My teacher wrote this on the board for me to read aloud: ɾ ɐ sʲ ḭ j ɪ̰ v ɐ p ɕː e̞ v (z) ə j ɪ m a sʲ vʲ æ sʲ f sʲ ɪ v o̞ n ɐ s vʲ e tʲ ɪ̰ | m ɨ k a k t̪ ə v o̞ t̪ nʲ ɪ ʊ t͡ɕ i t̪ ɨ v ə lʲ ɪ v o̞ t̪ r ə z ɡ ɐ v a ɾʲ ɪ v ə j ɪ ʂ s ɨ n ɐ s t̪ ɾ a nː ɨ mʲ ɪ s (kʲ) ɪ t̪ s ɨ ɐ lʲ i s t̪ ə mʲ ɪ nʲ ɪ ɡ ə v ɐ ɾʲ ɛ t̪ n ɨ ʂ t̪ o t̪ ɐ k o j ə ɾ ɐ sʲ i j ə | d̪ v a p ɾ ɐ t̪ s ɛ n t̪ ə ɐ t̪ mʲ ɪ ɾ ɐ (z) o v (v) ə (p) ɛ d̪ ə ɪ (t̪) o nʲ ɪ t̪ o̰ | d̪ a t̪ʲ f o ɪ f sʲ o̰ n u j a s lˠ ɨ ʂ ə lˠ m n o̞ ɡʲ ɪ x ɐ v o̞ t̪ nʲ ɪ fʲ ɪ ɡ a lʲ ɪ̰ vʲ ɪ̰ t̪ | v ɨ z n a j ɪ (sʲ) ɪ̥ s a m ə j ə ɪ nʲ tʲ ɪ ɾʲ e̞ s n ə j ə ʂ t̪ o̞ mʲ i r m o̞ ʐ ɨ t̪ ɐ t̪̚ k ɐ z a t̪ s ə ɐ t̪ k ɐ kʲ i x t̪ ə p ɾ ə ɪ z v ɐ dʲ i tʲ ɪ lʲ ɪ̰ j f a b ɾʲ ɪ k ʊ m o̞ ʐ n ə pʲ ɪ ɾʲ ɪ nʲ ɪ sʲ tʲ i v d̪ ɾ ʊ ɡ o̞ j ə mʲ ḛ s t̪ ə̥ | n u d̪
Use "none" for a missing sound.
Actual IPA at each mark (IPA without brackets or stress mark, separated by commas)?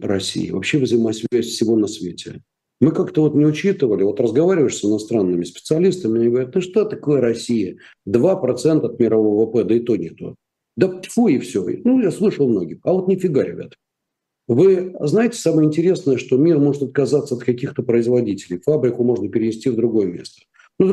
z, pʲ, v, v, p, t̪, tʲ